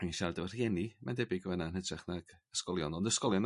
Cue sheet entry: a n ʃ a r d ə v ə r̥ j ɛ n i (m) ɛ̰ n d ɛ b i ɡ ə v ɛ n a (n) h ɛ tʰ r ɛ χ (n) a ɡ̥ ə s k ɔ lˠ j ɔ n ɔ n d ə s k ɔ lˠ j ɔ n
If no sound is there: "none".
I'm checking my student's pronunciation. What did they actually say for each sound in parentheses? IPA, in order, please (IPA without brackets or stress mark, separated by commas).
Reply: m, n, n